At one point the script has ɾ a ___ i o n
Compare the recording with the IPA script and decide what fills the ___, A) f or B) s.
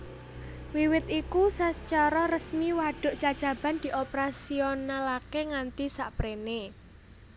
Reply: B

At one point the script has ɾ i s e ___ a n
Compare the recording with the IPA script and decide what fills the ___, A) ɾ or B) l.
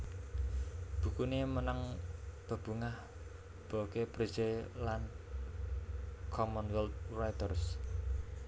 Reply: B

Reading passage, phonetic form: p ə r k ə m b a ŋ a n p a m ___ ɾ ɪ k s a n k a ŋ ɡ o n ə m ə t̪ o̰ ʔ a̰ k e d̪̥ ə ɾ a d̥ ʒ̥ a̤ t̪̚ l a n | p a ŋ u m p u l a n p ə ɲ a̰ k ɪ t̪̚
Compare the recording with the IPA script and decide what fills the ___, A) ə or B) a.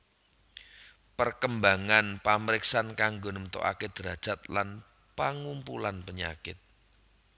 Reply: A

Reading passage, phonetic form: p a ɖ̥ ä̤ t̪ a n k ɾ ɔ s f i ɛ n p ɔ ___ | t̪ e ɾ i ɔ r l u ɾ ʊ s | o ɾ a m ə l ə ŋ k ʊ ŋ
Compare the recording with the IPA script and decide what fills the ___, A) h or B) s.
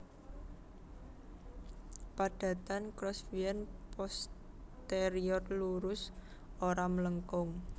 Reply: B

